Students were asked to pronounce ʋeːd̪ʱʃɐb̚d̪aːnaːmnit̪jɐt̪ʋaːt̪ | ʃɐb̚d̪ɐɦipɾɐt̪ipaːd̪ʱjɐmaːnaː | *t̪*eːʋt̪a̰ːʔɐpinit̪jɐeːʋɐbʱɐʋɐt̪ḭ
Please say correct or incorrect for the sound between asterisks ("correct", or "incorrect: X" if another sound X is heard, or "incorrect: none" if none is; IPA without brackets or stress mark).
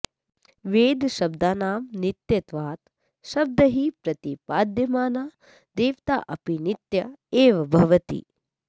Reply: incorrect: d̪